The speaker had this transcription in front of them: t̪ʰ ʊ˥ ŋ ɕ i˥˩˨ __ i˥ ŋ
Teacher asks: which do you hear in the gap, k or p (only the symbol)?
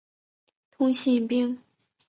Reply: p